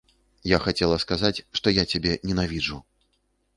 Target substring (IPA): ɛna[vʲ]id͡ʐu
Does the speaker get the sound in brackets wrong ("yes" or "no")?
no